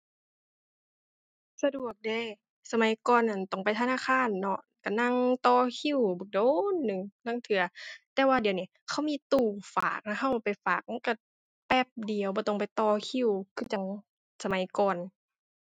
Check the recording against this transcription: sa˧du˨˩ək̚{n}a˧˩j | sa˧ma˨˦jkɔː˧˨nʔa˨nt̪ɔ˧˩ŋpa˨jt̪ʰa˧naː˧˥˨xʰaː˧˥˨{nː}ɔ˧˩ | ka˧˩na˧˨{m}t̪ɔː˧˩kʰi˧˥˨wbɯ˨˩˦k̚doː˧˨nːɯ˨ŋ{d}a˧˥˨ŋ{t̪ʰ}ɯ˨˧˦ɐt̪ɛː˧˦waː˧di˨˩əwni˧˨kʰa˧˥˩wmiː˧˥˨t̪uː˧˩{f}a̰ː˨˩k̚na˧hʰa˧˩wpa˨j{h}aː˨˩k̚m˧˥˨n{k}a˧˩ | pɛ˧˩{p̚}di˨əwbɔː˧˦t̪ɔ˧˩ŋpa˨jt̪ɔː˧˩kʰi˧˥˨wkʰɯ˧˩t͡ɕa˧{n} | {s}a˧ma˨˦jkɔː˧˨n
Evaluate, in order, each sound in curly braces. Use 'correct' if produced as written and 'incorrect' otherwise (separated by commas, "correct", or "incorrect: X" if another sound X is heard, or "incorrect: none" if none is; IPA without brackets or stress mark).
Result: incorrect: d, correct, incorrect: ŋ, incorrect: n, correct, correct, incorrect: f, correct, correct, incorrect: ŋ, correct